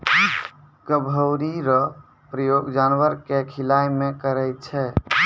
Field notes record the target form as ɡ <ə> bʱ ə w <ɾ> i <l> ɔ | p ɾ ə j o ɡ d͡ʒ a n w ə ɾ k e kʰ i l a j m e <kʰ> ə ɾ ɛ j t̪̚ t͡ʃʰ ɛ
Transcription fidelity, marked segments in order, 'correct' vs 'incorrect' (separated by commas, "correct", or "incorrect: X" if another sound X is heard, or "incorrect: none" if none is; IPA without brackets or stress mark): correct, correct, incorrect: ɾ, incorrect: k